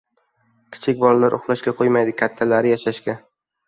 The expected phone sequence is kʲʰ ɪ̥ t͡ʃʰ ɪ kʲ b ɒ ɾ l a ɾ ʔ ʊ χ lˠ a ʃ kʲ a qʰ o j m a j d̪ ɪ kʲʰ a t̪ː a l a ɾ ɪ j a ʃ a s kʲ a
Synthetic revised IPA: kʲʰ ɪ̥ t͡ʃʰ ɪ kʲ b ɒ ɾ l a ɾ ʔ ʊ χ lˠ a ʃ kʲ a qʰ o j m a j d̪ ɪ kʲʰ a t̪ʰː a l a ɾ ɪ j a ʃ a ʃ kʲ a